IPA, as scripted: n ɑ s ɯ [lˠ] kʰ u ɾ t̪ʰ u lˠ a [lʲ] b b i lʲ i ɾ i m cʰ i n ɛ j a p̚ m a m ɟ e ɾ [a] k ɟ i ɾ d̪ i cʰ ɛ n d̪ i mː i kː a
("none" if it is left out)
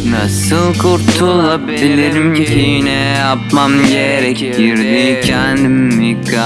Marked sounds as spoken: lˠ, none, ɛ

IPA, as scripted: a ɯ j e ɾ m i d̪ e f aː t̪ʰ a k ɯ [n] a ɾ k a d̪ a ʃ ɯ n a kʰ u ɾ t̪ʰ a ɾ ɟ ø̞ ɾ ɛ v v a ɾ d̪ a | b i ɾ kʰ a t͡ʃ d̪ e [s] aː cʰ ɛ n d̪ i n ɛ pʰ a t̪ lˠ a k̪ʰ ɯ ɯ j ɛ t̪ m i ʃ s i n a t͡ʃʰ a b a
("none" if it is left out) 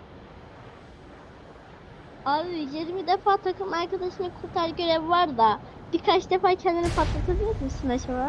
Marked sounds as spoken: m, f

